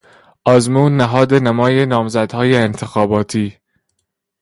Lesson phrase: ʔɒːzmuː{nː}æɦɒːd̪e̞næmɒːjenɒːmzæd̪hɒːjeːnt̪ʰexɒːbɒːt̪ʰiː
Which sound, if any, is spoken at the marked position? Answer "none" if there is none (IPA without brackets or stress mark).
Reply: nː